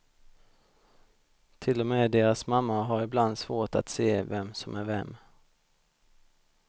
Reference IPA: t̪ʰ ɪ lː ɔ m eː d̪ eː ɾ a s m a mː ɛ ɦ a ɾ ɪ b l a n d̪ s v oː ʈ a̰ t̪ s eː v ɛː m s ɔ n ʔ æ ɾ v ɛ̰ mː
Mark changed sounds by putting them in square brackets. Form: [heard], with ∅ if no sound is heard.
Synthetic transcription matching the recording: t̪ʰ ɪ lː ɔ m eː d̪ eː ɾ a s m a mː [a] ɦ a ɾ ɪ b l a n d̪ s v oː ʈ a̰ t̪ s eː v [ɛ] m s ɔ [m] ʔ æ ɾ v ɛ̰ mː